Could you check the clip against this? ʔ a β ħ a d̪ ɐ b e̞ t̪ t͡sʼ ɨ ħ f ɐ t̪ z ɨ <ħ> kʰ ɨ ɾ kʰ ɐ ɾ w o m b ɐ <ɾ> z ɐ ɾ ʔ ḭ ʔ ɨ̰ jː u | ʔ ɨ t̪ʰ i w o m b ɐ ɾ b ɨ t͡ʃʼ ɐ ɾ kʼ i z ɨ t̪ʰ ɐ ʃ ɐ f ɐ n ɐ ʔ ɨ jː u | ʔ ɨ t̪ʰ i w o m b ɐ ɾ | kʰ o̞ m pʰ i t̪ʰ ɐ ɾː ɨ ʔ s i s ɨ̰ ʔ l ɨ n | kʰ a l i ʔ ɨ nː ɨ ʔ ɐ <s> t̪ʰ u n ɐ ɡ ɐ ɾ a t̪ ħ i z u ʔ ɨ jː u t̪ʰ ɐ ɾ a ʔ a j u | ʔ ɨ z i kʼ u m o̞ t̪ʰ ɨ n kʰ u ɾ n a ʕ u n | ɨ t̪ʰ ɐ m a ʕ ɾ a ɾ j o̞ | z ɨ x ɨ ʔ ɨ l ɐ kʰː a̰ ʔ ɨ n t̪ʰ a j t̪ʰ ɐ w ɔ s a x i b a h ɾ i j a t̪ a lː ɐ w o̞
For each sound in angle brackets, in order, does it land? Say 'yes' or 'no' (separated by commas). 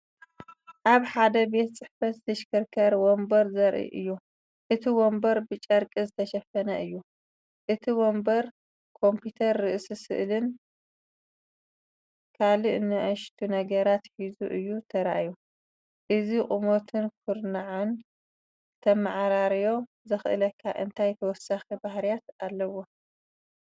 no, yes, no